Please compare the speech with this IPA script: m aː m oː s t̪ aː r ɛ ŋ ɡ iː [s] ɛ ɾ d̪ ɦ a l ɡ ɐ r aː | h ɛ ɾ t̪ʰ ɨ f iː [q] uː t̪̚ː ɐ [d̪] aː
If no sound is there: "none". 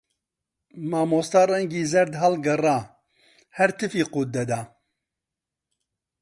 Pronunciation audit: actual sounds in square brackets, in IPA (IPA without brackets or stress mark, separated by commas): z, q, d̪